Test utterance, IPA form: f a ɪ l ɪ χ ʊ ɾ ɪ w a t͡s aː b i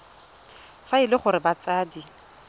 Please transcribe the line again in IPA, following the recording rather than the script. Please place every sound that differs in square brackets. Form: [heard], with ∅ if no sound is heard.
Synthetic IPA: f a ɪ l ɪ χ ʊ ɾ ɪ [b] a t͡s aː [d] i